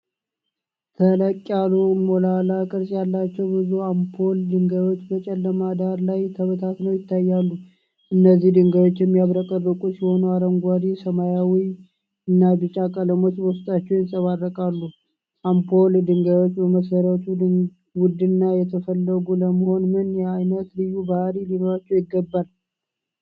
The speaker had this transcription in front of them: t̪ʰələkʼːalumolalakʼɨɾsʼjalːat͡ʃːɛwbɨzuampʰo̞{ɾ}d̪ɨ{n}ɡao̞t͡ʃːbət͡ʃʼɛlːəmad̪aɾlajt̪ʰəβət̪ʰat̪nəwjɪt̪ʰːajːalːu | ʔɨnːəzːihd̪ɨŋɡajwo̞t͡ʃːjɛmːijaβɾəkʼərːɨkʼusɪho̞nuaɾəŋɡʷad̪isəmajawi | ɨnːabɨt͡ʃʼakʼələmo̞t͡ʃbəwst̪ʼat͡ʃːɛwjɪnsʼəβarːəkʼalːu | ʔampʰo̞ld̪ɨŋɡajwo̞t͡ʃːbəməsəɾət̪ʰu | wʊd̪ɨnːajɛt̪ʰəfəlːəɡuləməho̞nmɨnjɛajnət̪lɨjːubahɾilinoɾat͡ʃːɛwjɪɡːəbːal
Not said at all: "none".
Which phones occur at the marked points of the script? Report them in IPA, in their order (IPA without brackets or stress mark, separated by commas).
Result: l, ŋ